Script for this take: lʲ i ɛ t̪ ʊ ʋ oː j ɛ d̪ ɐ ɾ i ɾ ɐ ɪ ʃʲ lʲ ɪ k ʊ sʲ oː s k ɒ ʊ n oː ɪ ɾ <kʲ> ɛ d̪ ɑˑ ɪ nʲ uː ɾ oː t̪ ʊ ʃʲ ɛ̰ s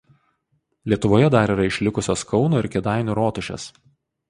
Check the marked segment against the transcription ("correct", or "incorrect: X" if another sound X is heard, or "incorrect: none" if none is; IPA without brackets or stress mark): correct